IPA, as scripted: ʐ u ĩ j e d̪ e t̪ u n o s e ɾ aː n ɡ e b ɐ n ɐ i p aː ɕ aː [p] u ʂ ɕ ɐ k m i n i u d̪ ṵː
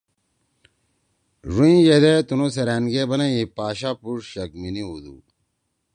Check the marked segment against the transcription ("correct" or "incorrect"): correct